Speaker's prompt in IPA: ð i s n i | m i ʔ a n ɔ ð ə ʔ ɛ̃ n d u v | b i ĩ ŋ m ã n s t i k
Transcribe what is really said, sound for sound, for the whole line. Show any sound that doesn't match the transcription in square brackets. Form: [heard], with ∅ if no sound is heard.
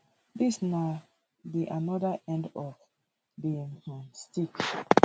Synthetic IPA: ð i s n [a] | [b] i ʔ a n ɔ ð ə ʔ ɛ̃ n d [ɔ] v | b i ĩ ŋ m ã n s t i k